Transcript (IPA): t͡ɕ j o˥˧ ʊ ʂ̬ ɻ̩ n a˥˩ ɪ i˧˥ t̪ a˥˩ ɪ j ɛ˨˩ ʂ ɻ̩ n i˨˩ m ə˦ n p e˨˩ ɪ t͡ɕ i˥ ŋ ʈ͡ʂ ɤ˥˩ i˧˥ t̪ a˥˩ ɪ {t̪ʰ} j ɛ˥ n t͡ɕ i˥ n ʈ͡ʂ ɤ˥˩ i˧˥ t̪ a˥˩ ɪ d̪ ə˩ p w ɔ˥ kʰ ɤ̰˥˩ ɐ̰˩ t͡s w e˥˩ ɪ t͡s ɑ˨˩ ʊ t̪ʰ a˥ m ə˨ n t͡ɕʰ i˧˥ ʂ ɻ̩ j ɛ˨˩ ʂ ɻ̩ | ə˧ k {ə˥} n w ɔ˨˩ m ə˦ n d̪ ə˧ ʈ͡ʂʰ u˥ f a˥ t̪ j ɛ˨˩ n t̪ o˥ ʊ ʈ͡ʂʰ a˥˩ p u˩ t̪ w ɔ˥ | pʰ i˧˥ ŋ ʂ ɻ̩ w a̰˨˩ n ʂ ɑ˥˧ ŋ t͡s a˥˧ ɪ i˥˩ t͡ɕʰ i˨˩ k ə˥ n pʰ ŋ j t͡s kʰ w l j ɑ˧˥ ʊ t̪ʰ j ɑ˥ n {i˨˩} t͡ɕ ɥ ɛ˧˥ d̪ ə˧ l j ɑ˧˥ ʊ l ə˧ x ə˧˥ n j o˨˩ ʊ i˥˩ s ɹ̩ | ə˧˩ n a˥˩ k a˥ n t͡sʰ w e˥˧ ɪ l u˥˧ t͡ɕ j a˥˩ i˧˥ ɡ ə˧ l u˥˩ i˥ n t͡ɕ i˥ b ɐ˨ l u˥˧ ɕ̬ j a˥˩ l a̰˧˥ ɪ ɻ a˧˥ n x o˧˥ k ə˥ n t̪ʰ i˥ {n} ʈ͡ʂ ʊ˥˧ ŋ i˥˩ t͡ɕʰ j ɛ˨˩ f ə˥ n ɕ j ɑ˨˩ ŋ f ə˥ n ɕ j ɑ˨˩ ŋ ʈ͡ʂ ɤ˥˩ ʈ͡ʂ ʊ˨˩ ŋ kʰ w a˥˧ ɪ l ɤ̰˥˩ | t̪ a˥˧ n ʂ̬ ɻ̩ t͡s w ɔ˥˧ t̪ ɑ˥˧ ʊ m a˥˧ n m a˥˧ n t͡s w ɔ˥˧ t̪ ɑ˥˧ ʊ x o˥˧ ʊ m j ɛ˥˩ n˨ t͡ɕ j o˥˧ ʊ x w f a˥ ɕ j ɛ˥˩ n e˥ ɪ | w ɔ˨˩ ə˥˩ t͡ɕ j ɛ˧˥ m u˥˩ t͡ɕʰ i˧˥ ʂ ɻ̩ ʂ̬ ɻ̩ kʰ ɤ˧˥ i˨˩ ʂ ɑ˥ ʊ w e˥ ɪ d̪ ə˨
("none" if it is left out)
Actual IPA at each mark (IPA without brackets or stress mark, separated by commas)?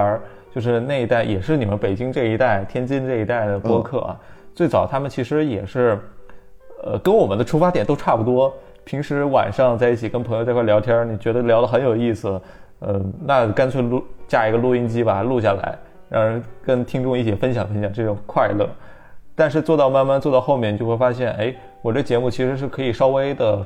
t̪ʰ, ə˥, i˨˩, ŋ